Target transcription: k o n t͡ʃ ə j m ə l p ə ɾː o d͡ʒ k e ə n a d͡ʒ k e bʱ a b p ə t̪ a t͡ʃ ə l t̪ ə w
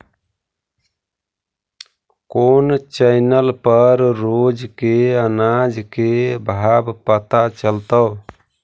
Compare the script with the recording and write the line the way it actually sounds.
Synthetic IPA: k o n t͡ʃ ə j n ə l p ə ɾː o d͡ʒ k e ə n a d͡ʒ k e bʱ a b p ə t̪ a t͡ʃ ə l t̪ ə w